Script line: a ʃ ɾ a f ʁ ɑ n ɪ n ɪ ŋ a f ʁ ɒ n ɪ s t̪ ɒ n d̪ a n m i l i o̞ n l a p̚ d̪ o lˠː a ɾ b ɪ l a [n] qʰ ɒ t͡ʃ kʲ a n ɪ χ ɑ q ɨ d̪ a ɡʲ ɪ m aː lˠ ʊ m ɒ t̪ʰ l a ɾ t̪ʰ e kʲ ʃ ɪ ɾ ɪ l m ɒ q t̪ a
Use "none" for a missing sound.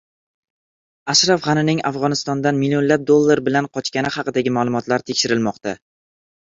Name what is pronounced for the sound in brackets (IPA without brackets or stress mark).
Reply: n